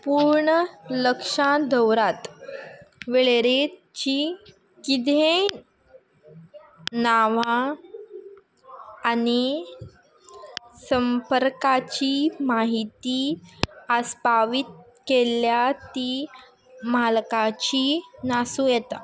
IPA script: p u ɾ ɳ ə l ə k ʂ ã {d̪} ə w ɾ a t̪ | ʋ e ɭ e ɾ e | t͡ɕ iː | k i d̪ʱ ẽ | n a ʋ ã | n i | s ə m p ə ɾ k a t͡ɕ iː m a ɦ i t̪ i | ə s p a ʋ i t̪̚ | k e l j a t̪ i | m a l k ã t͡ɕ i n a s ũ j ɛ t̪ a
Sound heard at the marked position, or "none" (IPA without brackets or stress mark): d̪